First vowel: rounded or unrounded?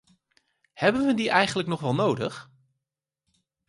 unrounded